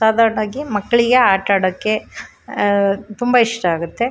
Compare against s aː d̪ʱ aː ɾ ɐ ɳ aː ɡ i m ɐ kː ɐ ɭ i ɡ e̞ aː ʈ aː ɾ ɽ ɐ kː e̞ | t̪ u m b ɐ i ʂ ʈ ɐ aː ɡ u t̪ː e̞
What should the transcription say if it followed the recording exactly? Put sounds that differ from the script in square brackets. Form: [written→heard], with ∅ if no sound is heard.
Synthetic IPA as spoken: s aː d̪ʱ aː ɾ ɐ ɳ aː ɡ i m ɐ kː ɐ ɭ i ɡ e̞ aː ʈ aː [ɾ→∅] ɽ ɐ kː e̞ | t̪ u m b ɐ i ʂ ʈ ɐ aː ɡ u t̪ː e̞